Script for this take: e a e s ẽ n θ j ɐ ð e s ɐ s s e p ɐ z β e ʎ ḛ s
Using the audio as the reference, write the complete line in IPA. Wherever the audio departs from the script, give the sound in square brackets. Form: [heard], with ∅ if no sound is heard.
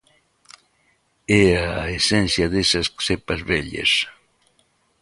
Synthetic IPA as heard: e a e s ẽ n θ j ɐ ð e s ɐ s s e p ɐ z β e ʎ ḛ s